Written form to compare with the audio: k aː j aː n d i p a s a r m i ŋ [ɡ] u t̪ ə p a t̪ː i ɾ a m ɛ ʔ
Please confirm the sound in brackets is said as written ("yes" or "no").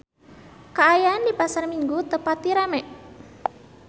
yes